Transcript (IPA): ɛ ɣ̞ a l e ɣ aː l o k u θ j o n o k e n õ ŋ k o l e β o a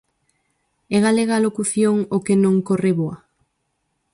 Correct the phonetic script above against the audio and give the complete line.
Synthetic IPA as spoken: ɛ ɣ̞ a l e ɣ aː l o k u θ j o ŋ o k e n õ ŋ k o r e β o a